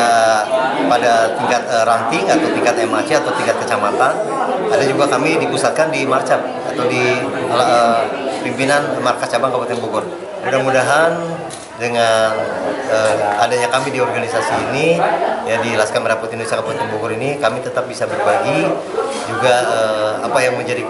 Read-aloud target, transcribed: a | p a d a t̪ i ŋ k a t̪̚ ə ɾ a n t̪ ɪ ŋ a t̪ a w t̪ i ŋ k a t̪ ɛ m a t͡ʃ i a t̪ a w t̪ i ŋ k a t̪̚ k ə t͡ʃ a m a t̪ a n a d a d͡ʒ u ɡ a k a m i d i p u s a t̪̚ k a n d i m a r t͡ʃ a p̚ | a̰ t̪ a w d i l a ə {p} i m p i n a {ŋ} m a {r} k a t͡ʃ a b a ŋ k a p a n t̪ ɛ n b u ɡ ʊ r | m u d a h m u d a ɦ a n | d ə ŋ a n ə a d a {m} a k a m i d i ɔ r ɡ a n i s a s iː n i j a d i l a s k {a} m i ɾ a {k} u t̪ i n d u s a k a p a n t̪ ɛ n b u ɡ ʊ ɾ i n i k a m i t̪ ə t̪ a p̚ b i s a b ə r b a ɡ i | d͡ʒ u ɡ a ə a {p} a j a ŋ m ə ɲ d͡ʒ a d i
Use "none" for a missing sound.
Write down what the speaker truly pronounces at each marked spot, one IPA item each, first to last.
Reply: p, n, r, ɲ, a, p, p

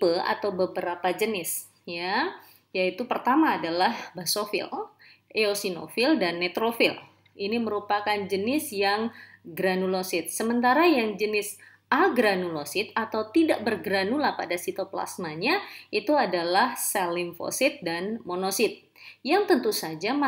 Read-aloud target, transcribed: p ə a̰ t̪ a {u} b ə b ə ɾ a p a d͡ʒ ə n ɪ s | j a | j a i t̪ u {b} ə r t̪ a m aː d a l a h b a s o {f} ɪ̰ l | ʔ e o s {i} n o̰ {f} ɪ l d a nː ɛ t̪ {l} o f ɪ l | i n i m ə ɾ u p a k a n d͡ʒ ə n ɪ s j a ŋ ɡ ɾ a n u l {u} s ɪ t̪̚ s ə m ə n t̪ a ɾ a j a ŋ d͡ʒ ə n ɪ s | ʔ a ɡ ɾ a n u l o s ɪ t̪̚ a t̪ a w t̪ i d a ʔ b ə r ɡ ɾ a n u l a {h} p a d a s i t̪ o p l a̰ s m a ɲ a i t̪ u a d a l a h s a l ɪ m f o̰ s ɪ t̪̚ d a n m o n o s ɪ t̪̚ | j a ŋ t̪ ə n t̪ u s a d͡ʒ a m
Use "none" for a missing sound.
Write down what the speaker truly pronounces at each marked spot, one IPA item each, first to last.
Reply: w, p, f, i, f, ɾ, o, h

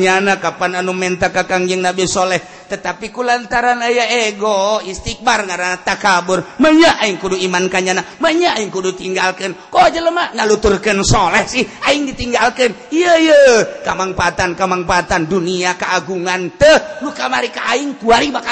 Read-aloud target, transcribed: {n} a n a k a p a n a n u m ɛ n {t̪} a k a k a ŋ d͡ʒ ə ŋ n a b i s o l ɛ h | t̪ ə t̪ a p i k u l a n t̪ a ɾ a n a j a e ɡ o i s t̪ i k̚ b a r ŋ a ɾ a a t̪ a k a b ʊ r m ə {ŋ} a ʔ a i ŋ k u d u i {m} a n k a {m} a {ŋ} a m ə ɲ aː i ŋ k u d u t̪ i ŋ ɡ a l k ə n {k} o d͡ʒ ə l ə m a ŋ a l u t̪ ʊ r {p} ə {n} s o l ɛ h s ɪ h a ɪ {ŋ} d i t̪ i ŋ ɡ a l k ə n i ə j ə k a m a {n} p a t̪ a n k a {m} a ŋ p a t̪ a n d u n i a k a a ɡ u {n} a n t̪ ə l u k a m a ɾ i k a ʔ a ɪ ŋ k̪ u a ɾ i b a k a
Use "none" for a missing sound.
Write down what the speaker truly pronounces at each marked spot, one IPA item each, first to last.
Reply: ɲ, t̪, ɲ, m, ɲ, n, k, k, n, ŋ, ŋ, m, ŋ

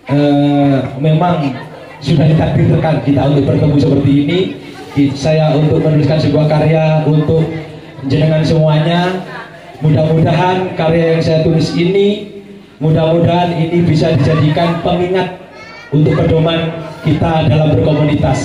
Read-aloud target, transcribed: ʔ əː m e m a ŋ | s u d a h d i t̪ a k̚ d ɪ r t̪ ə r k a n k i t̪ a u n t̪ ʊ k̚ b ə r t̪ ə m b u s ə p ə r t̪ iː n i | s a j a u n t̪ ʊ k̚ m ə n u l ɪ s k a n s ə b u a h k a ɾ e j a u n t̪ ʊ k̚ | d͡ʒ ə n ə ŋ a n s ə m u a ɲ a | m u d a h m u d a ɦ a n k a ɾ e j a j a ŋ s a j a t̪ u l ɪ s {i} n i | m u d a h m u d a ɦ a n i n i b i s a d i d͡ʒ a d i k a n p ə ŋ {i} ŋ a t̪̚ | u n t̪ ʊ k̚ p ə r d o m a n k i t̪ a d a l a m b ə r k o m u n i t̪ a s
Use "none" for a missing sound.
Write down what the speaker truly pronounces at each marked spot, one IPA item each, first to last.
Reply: i, i

